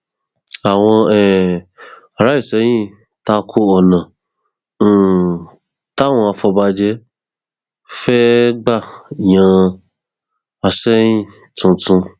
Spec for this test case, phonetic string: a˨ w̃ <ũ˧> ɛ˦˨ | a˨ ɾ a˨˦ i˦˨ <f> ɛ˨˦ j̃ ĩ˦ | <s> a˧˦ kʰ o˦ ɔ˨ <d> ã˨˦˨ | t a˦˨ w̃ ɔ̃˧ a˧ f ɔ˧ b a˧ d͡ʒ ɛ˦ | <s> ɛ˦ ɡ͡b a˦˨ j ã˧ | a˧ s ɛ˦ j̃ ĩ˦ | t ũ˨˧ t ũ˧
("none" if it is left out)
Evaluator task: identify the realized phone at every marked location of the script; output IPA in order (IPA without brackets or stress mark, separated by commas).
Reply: ɔ̃˧, s, t, n, f